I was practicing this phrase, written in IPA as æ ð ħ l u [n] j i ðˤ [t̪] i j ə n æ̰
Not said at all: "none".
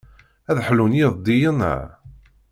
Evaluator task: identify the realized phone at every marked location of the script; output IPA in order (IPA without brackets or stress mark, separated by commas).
n, d̪